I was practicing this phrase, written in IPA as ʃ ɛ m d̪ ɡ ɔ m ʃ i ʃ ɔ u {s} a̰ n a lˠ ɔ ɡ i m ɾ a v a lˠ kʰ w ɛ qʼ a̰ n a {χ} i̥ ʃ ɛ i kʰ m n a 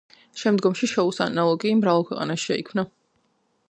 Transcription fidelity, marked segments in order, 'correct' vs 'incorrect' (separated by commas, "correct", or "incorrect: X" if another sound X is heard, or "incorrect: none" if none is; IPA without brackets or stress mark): correct, incorrect: ʃ